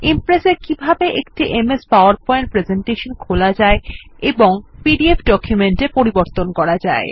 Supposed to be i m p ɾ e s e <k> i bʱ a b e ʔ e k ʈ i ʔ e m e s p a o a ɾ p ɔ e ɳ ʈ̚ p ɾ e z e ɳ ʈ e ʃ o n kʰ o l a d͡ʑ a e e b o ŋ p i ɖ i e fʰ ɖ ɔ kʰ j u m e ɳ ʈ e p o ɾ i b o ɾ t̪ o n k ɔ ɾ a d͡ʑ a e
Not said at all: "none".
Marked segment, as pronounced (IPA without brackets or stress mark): k